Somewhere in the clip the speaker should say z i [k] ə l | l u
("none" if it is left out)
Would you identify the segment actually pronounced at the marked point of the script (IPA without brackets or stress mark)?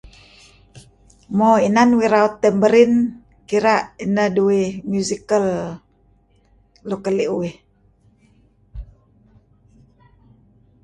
k